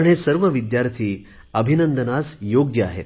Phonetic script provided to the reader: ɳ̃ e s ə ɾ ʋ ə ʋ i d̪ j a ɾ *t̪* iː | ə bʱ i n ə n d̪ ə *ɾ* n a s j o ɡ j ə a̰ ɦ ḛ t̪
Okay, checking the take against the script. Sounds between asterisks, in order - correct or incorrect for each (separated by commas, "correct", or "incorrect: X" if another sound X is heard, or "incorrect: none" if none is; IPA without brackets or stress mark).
incorrect: t̪ʰ, incorrect: none